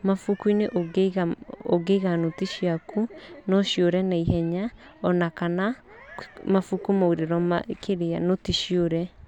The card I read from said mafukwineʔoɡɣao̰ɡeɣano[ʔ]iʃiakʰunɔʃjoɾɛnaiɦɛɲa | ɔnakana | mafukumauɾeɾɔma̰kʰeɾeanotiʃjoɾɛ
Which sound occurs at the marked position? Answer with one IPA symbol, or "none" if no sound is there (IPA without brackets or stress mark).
t